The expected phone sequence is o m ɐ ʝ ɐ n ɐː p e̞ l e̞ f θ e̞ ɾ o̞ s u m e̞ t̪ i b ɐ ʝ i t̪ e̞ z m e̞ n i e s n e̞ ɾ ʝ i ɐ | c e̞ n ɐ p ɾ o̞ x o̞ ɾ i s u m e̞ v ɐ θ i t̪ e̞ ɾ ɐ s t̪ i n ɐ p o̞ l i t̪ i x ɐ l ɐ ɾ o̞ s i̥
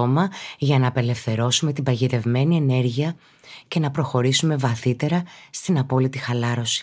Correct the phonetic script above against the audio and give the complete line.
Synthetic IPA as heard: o m ɐ ʝ ɐ n ɐː p e̞ l e̞ f θ e̞ ɾ o̞ s u m e̞ t̪ i b ɐ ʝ i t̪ e̞ v m e̞ n i e n e̞ ɾ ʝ i ɐ | c e̞ n ɐ p ɾ o̞ x o̞ ɾ i s u m e̞ v ɐ θ i t̪ e̞ ɾ ɐ s t̪ i n ɐ p o̞ l i t̪ i x ɐ l ɐ ɾ o̞ s i̥